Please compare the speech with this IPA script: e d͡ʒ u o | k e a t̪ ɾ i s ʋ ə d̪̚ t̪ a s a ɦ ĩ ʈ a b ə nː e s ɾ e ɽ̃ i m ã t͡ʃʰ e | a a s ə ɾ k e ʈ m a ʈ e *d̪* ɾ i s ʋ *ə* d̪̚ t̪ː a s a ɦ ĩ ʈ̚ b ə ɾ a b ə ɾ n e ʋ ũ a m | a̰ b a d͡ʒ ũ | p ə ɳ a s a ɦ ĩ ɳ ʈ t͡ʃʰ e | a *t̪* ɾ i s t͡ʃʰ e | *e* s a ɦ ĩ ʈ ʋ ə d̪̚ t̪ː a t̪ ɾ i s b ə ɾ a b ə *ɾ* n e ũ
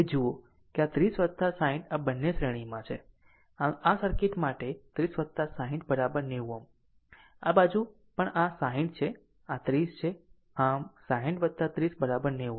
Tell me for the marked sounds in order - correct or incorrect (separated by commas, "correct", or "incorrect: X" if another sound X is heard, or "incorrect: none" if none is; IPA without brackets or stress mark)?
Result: incorrect: t̪, correct, correct, incorrect: a, correct